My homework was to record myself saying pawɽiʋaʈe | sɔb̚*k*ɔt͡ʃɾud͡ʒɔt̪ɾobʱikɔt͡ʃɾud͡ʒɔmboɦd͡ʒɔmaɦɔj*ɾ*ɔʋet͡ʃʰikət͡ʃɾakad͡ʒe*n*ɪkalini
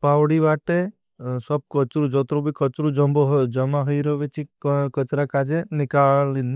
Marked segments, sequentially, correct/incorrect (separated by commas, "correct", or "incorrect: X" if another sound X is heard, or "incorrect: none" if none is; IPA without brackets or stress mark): correct, correct, correct